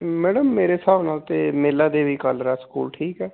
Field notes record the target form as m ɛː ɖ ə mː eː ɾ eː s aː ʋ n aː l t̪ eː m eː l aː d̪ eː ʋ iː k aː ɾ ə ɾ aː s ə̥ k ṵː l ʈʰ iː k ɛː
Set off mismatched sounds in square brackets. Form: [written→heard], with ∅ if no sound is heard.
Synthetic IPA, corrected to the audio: m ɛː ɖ ə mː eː ɾ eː s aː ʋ n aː l t̪ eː m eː l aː d̪ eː ʋ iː k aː [ɾ→l] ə ɾ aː s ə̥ k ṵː l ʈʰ iː k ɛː